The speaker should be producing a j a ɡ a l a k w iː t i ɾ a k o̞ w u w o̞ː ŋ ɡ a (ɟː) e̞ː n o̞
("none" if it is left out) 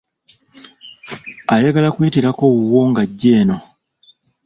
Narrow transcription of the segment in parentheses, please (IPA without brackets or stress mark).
ɟː